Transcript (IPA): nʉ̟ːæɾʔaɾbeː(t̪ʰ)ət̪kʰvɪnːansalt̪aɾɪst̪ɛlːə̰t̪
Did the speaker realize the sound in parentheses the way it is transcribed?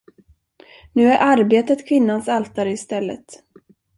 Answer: no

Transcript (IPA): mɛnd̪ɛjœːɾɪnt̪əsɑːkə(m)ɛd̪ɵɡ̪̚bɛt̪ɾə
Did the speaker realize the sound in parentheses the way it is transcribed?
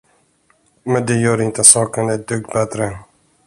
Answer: no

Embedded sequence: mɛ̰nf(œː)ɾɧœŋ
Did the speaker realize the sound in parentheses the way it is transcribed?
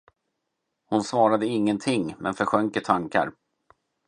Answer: no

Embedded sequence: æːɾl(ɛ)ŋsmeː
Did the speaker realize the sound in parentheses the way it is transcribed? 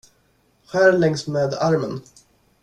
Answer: yes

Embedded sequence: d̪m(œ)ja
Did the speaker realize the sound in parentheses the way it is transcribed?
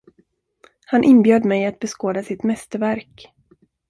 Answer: no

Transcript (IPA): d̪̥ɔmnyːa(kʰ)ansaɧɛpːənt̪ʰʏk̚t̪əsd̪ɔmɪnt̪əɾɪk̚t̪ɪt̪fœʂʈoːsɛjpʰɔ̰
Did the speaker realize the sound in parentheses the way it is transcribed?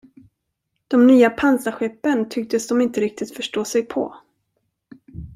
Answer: no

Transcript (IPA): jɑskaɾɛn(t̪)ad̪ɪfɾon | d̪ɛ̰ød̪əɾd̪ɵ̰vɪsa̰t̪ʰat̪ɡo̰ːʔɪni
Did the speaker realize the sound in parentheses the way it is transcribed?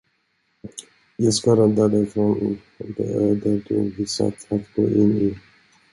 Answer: no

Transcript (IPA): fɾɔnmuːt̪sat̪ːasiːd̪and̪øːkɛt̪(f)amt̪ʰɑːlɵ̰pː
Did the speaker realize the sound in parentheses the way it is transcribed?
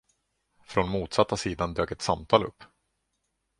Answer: no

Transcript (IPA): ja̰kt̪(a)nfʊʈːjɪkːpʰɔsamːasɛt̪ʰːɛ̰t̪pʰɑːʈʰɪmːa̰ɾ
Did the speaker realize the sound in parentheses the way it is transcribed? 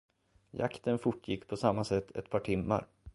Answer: no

